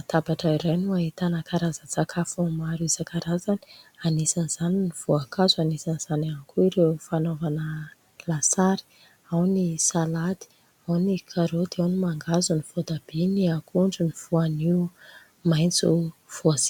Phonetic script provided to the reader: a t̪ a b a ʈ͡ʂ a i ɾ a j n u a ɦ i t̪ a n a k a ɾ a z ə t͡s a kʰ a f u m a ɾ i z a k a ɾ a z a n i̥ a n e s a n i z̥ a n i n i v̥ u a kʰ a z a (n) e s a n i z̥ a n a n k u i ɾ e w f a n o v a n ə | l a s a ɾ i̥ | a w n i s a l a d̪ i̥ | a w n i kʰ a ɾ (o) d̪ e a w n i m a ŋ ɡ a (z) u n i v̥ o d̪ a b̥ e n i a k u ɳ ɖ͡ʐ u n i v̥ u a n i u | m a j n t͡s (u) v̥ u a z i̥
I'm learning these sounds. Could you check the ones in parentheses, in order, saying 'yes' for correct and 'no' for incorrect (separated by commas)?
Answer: yes, yes, yes, yes